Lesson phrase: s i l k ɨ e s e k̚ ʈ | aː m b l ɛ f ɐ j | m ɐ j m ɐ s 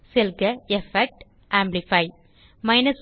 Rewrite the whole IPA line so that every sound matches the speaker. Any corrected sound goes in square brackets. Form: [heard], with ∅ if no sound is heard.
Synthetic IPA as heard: s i l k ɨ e [f] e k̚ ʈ | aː m b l [i] f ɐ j | m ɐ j [n] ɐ s